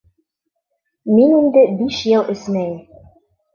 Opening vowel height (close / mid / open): close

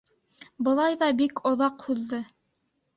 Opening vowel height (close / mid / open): mid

